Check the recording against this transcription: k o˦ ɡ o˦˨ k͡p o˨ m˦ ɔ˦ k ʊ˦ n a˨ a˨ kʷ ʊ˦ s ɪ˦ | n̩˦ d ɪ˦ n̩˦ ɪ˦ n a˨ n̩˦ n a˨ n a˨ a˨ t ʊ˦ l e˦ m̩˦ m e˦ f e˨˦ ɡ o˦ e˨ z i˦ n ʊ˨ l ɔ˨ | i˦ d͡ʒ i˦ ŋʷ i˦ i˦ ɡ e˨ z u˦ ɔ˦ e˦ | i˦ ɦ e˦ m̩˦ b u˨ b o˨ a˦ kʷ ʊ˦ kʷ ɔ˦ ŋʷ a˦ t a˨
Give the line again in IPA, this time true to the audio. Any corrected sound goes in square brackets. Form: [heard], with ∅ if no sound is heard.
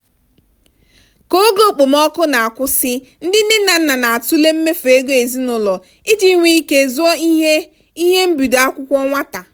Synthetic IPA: k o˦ ɡ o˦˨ k͡p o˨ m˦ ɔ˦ k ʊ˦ n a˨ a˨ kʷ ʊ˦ s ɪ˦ | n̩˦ d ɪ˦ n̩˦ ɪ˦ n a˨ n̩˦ n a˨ n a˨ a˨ t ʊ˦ l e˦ m̩˦ m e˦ f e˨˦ ɡ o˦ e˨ z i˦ n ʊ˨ l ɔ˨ | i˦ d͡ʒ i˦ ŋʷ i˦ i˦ [k] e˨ z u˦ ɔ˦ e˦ | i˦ ɦ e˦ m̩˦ b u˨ [d] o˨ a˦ kʷ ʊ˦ kʷ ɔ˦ ŋʷ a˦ t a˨

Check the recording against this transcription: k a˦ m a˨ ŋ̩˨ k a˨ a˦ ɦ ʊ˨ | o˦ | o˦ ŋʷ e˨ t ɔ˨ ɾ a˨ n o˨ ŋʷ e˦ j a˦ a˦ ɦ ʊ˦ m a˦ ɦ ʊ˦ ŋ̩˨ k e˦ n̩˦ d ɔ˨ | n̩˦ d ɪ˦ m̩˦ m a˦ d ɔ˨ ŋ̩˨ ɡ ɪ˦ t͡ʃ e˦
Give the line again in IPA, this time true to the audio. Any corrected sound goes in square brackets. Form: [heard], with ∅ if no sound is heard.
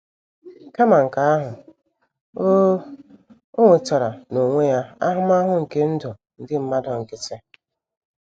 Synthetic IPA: k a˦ m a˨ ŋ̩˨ k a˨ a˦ ɦ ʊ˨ | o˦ | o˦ ŋʷ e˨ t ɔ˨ ɾ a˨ n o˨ ŋʷ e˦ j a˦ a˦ ɦ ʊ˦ m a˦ ɦ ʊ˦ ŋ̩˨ k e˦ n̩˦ d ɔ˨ | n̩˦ d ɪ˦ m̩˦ m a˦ d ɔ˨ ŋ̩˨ [k] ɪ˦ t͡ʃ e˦

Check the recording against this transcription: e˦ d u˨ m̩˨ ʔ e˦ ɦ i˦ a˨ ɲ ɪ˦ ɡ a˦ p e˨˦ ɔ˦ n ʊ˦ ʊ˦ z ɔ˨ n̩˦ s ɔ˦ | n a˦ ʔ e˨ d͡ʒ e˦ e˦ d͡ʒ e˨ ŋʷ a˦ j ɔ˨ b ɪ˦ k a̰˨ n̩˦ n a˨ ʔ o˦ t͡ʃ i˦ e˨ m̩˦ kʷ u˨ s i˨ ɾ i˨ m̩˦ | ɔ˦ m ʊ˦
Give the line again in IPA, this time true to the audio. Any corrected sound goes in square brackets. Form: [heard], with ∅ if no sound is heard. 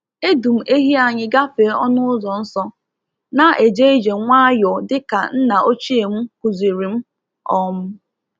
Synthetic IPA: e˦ d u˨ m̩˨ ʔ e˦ ɦ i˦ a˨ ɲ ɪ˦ ɡ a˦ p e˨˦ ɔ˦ n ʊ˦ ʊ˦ z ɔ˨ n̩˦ s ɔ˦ | n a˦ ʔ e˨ d͡ʒ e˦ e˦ d͡ʒ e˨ ŋʷ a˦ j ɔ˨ [d] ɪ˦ k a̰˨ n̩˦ n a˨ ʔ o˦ t͡ʃ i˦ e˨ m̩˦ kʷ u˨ [z] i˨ ɾ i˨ m̩˦ | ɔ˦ m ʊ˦

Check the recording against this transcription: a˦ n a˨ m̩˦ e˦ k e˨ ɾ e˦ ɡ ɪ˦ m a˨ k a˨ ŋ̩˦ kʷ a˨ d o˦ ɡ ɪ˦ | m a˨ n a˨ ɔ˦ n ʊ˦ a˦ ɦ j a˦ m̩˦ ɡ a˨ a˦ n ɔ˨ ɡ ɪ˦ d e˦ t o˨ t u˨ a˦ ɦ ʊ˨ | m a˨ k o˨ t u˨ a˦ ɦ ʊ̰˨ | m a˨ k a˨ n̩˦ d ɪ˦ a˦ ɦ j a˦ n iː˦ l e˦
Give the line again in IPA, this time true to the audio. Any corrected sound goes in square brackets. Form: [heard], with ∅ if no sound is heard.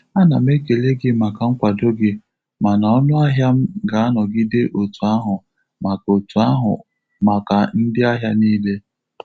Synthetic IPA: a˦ n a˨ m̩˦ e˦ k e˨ [l] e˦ ɡ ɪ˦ m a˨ k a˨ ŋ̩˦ kʷ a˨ d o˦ ɡ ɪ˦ | m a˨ n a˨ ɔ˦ n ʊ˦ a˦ ɦ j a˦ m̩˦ ɡ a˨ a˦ n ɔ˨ ɡ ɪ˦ d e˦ [ʔ] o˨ t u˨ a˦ ɦ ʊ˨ | m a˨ k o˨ t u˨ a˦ ɦ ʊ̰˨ | m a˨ k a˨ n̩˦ d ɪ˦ a˦ ɦ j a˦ n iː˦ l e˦

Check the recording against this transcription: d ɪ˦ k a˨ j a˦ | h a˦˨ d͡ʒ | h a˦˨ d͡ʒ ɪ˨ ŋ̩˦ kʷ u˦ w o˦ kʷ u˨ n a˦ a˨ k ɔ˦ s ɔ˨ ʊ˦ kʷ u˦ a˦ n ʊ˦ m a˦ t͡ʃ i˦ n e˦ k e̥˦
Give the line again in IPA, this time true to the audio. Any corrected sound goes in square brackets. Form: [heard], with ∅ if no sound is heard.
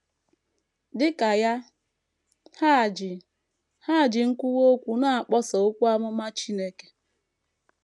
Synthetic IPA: d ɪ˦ k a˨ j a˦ | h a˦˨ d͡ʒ | h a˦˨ d͡ʒ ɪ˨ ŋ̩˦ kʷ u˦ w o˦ kʷ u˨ n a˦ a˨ [k͡p] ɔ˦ s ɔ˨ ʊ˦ kʷ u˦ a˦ [m] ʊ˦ m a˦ t͡ʃ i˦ n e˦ k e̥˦

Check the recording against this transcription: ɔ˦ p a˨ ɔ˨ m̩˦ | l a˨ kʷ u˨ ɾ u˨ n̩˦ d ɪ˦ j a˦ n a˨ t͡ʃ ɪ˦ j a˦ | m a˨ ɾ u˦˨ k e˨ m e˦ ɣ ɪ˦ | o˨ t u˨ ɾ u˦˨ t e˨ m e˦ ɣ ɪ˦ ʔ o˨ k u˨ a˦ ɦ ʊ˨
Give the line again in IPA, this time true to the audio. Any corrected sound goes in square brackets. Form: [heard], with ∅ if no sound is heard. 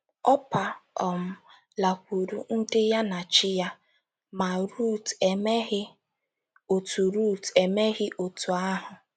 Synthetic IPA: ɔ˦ p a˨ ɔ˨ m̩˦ | l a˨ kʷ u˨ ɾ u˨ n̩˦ d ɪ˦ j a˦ n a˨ t͡ʃ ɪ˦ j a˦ | m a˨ ɾ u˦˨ [t] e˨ m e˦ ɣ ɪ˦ | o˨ t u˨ ɾ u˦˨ t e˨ m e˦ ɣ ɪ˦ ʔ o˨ [t] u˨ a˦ ɦ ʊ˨

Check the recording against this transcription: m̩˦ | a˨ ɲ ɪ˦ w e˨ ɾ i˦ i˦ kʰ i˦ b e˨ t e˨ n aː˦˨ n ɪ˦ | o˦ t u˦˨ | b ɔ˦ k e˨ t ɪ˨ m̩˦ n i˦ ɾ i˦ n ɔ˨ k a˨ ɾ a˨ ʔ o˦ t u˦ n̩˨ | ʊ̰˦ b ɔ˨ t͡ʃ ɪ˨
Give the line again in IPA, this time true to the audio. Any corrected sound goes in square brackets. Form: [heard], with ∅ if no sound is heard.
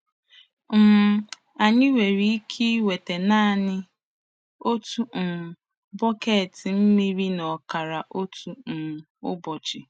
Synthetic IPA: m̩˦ | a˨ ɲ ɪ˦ w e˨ ɾ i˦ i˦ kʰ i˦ [w] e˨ t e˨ n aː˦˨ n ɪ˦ | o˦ t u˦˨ | b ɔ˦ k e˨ t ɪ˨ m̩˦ [m] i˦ ɾ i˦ n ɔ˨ k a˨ ɾ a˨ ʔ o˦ t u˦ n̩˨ | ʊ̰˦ b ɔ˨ t͡ʃ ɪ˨

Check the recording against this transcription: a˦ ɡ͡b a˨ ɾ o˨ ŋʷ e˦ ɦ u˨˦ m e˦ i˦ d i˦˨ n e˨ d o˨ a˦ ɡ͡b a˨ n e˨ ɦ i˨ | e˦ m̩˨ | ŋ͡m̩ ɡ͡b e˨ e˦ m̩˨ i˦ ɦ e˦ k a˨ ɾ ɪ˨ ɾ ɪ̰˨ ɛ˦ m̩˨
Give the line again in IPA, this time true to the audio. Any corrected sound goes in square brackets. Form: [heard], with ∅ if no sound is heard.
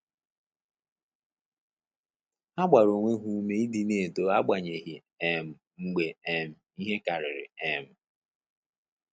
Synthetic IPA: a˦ ɡ͡b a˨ ɾ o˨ ŋʷ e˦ ɦ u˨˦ m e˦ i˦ d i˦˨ n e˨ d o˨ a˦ ɡ͡b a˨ [ɲ] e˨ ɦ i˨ | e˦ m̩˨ | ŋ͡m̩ ɡ͡b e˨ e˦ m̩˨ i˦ ɦ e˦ k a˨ ɾ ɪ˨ ɾ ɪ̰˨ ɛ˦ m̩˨

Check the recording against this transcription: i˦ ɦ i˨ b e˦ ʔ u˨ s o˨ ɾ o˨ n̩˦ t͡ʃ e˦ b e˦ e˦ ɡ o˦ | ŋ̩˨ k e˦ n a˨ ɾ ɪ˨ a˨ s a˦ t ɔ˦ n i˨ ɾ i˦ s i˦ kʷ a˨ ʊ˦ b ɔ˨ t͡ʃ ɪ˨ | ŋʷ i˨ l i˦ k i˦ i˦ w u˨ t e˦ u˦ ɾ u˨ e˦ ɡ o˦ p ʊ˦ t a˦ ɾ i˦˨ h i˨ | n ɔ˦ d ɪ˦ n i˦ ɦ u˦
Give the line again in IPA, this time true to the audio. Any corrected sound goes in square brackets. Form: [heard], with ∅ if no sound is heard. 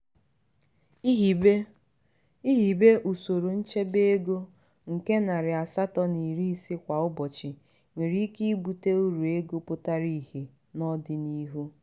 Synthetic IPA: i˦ ɦ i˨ b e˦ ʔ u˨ s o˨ ɾ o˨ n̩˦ t͡ʃ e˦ b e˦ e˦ ɡ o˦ | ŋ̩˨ k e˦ n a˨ ɾ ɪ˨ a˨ s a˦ t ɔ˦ n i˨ ɾ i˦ s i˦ kʷ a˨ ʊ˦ b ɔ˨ t͡ʃ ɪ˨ | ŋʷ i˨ [ɾ] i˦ k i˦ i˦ [b] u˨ t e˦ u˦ ɾ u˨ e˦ ɡ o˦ p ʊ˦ t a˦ ɾ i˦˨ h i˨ | n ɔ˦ d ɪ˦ n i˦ ɦ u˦

